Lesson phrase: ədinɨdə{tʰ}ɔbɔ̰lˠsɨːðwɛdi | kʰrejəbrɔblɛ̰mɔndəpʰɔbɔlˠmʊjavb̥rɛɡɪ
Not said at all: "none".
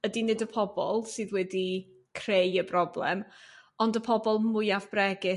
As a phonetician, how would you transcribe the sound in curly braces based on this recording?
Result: pʰ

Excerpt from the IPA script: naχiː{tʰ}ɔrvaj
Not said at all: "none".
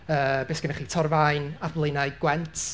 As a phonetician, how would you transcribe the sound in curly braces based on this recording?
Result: tʰ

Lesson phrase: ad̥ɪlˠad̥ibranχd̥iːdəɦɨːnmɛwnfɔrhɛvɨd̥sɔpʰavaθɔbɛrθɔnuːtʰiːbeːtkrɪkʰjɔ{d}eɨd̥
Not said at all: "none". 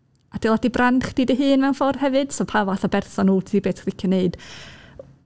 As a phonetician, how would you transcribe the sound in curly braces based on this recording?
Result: n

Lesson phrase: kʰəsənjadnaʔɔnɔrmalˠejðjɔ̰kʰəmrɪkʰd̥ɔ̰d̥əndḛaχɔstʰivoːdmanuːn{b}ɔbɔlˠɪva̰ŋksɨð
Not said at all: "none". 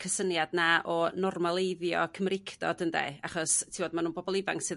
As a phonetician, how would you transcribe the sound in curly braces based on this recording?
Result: b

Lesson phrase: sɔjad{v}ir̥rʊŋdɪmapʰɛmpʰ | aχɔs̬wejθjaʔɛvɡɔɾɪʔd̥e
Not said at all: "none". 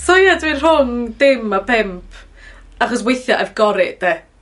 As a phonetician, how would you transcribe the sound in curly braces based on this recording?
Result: w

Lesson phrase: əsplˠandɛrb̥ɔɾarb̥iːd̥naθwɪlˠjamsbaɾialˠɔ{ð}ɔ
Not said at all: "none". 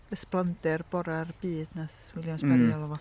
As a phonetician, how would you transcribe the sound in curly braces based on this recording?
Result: v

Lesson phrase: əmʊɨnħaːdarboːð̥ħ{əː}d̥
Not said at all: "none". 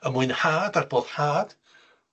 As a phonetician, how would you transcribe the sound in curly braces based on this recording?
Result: aː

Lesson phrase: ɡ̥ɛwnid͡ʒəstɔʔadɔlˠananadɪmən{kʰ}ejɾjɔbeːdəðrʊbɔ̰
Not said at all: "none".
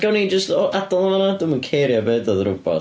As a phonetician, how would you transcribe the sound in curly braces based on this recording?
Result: kʰ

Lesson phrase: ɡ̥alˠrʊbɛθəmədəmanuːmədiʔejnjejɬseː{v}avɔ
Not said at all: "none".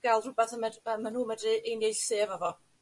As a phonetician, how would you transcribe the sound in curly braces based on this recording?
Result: v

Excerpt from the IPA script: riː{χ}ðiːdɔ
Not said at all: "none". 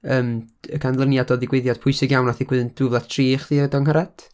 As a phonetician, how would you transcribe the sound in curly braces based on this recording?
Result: χ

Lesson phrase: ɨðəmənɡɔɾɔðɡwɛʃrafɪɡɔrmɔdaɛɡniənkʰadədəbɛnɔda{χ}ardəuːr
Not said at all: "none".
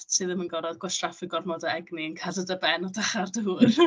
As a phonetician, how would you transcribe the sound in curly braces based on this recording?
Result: χ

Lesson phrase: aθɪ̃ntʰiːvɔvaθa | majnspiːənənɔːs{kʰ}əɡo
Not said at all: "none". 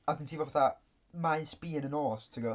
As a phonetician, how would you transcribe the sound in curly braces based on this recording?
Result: tʰ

